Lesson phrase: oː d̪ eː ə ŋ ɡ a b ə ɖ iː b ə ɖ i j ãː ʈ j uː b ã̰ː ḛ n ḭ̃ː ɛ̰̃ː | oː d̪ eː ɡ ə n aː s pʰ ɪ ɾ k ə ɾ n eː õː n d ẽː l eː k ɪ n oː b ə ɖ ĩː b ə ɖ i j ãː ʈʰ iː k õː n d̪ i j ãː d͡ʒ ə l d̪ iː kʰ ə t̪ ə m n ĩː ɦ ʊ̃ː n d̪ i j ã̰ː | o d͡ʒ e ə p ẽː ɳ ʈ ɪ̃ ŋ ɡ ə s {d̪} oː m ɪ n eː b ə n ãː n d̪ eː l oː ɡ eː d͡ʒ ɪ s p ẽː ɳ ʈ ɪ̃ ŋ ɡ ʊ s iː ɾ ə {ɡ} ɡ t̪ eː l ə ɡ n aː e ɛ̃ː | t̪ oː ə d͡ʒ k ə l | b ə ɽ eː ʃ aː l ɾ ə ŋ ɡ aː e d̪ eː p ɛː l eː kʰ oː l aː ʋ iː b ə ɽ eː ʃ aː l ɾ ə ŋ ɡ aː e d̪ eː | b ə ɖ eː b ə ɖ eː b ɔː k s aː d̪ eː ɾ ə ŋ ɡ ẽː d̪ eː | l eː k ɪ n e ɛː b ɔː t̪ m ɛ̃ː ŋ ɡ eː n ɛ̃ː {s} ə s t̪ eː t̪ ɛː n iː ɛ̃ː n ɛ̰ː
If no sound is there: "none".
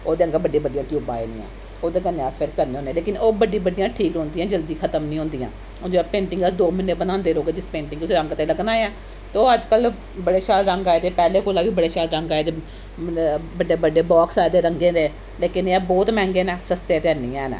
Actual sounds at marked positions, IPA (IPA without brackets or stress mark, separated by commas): d̪, ŋ, s